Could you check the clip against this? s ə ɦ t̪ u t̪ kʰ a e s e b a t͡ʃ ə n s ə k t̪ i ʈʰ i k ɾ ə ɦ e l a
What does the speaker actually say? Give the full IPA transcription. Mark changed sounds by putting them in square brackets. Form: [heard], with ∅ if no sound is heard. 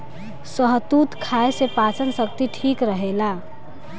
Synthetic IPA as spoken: s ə ɦ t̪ u t̪ kʰ a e s e [p] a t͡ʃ ə n s ə k t̪ i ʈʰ i k ɾ ə ɦ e l a